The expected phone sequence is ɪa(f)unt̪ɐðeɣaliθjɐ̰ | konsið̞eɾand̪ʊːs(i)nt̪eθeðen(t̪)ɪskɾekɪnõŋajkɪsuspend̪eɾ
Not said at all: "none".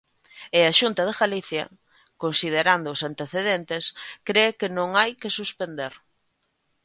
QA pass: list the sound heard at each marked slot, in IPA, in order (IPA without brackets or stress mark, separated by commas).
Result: ʃ, a, t̪